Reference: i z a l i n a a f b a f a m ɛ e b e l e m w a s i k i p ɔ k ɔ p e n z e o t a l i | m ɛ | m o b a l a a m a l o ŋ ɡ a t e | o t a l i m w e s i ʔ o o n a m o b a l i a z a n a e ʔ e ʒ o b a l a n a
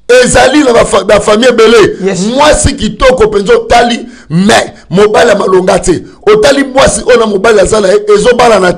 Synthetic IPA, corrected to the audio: e z a l i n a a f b a f a m i e b e l e m w a s i k i t ɔ k ɔ p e n z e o t a l i | m ɛ | m o b a l i a m a l o ŋ ɡ a t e | o t a l i m w a s i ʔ o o n a m o b a l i a z a n a e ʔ e z o b a l a n a